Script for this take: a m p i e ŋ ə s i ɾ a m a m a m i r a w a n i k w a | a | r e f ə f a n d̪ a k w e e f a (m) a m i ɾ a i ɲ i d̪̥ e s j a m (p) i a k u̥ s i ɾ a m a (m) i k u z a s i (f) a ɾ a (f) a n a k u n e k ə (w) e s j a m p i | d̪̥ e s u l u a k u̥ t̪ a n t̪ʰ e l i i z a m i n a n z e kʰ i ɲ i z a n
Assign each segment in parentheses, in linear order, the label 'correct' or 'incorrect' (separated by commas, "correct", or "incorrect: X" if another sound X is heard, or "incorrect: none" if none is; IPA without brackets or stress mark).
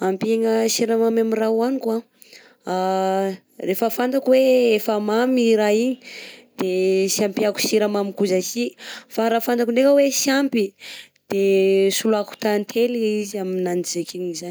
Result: correct, correct, correct, correct, correct, correct